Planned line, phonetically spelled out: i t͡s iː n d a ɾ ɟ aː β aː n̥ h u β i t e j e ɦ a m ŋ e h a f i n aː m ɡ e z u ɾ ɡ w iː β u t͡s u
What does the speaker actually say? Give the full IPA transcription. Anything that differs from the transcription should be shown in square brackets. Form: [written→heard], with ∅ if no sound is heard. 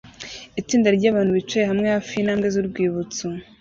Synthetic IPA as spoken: i t͡s iː n d a ɾ ɟ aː β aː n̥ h u β i [t→t͡ʃ] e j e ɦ a m ŋ e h a f i n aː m ɡ e z u ɾ ɡ w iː β u t͡s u